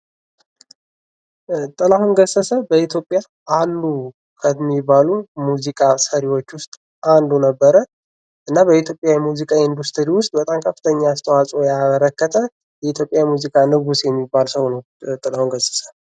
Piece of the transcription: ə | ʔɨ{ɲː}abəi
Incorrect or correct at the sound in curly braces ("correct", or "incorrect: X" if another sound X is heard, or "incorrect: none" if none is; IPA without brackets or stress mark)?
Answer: incorrect: nː